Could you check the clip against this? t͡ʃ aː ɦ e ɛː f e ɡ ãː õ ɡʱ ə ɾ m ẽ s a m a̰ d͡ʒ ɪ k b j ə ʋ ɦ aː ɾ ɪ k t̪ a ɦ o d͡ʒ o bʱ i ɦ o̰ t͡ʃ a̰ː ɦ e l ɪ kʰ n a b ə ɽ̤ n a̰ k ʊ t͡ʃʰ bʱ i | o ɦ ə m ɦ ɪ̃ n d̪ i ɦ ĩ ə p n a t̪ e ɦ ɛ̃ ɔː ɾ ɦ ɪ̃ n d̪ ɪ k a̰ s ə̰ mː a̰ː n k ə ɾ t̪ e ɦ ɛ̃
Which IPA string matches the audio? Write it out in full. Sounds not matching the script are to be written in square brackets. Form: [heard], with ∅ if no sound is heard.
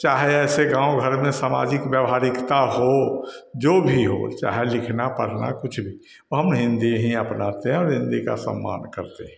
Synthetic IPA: t͡ʃ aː ɦ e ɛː [s] e ɡ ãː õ ɡʱ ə ɾ m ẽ s a m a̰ d͡ʒ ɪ k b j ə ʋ ɦ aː ɾ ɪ k t̪ a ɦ o d͡ʒ o bʱ i ɦ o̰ t͡ʃ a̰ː ɦ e l ɪ kʰ n a [p] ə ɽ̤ n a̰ k ʊ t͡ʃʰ bʱ i | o ɦ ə m ɦ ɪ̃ n d̪ i ɦ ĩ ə p n a t̪ e ɦ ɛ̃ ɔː ɾ ɦ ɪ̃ n d̪ [i] k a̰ s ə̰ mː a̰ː n k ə ɾ t̪ e ɦ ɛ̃